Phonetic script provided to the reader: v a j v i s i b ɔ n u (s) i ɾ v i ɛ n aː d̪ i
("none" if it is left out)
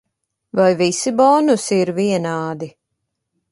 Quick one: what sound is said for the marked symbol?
s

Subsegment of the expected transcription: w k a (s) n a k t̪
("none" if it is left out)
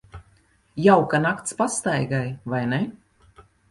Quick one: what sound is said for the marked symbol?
none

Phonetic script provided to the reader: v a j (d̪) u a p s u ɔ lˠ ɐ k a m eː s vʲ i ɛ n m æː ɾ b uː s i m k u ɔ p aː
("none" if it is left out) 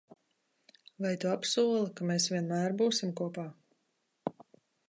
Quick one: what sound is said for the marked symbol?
t̪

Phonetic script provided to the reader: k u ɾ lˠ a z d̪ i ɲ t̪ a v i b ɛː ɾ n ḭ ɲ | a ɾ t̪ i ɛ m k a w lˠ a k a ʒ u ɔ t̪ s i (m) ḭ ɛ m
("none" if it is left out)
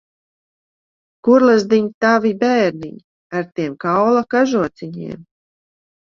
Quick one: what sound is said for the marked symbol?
ɲ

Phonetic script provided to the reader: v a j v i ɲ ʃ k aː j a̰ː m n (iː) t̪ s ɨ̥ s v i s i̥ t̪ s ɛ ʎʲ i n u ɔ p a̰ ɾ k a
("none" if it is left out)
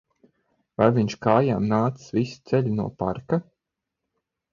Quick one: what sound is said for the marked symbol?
aː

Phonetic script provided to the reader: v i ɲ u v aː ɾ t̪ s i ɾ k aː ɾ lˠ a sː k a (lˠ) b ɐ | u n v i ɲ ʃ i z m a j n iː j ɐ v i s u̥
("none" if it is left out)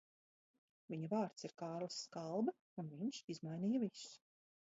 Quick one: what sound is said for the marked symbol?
lˠ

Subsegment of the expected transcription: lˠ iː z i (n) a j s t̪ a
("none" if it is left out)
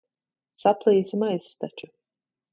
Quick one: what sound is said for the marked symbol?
m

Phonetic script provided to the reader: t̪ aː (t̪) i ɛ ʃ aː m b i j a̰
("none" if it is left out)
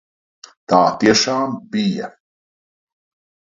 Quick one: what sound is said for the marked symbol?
t̪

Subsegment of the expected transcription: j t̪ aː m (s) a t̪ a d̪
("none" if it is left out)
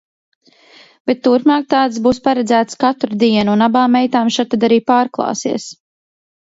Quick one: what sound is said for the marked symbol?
ʃ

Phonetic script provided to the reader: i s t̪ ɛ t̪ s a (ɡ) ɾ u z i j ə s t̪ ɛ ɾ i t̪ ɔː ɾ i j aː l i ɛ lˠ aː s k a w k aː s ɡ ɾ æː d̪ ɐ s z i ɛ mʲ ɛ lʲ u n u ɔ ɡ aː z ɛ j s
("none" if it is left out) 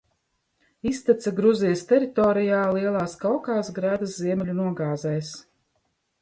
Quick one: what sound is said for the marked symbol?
ɡ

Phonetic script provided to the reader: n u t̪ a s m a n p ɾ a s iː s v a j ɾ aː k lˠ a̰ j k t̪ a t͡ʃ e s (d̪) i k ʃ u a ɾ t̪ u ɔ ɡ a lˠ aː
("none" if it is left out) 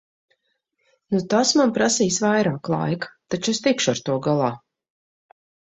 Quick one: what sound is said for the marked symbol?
t̪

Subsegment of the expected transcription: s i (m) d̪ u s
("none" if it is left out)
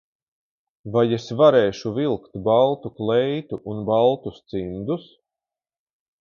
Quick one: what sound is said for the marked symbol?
n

